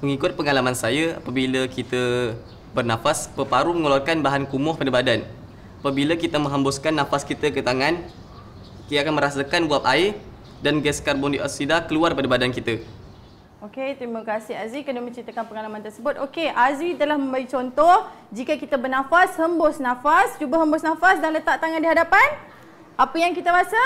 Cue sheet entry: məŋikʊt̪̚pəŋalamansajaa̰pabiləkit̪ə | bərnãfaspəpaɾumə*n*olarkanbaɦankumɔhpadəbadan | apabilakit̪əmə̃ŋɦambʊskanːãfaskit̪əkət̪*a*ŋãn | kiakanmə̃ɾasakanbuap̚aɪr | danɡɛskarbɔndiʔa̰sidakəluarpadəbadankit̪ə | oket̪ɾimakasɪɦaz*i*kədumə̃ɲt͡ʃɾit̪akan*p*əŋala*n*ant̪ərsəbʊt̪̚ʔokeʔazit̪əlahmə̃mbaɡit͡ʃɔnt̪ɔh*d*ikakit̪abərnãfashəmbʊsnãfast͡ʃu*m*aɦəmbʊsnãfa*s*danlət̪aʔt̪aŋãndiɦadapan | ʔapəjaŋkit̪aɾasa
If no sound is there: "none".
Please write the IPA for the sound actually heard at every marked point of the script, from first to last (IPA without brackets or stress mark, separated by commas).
ŋ, a, i, p, m, d͡ʒ, b, s